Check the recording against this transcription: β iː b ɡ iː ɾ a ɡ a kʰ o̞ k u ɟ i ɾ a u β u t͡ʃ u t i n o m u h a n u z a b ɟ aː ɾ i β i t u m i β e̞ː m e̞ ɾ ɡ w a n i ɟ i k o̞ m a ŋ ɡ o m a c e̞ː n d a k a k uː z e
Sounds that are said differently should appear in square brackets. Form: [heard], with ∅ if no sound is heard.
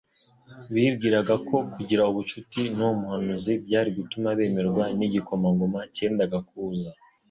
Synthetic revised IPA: β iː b ɡ iː ɾ a ɡ a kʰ o̞ k u ɟ i ɾ a u β u t͡ʃ u t i n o m u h a n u z [i] b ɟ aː ɾ i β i t u m [a] β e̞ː m e̞ ɾ ɡ w a n i ɟ i k o̞ m a ŋ ɡ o m a c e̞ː n d a [ɡ] a k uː z [a]